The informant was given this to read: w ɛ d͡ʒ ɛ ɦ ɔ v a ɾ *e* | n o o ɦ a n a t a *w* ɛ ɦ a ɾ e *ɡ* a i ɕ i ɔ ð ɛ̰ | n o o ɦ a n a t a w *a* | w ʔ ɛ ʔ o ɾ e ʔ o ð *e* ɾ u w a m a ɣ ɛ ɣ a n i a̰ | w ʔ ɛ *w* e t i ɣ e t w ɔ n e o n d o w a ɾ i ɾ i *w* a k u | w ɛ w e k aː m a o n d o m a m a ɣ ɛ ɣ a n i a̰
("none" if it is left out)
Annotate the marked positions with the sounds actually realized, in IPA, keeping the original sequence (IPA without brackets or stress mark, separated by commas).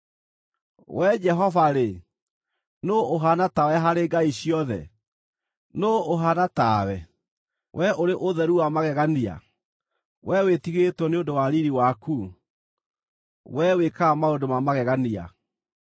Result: e, w, ɡ, ɛ, ɛ, w, w